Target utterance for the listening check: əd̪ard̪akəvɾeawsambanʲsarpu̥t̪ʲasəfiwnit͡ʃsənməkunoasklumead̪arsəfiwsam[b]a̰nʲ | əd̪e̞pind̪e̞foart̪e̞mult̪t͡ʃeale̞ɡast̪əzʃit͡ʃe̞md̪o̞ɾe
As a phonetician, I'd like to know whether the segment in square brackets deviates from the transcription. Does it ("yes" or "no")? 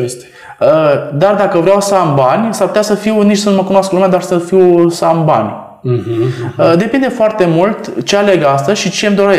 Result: no